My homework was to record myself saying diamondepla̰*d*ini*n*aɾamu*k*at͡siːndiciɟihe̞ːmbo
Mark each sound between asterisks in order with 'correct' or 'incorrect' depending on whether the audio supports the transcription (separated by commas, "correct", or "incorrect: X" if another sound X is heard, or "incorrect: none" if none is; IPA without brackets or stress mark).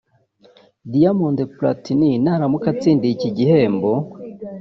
incorrect: t, correct, correct